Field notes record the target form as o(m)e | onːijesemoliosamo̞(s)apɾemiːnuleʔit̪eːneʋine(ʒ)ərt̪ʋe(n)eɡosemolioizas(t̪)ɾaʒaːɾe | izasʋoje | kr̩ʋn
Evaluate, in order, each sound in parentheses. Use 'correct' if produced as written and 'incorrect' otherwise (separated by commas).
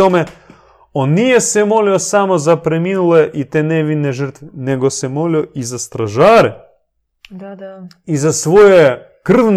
correct, incorrect, correct, correct, correct